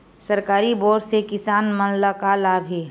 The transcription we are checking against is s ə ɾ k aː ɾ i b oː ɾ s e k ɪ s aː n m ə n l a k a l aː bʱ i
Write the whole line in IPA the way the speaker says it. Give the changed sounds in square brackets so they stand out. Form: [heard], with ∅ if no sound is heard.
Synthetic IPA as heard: s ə ɾ k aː ɾ i b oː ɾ s e k ɪ s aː n m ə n l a k a l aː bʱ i